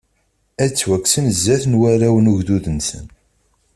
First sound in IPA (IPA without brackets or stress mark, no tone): æ